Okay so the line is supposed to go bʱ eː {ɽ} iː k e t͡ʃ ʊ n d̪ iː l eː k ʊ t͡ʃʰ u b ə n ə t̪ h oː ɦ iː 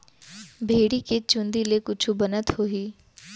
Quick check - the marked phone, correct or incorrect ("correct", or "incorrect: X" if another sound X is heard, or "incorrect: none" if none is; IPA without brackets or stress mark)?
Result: correct